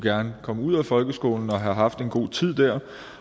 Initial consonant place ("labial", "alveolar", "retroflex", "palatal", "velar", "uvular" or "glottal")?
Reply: velar